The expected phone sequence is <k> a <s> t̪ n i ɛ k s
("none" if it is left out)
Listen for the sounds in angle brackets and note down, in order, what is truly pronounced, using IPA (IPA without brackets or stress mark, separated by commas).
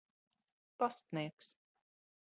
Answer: p, s